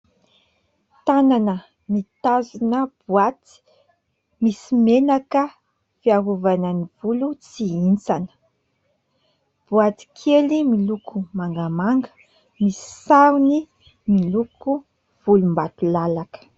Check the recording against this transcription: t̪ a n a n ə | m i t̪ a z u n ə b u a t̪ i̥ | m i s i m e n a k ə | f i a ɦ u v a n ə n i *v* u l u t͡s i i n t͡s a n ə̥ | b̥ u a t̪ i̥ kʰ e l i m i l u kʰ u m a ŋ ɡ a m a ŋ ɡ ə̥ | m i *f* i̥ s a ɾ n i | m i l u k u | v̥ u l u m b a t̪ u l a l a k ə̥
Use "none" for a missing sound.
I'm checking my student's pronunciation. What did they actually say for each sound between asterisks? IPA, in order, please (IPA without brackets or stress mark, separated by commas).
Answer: v, s